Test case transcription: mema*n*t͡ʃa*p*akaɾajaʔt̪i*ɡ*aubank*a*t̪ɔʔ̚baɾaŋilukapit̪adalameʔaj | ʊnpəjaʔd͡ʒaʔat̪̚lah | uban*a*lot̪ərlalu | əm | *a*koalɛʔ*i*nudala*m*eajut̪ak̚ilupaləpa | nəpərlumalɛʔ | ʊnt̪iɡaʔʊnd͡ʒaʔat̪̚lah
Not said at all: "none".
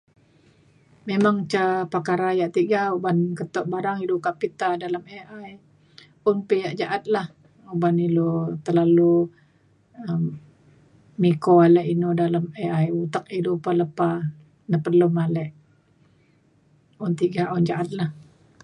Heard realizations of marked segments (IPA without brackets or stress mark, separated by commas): ŋ, p, ɡ, ə, i, i, i, m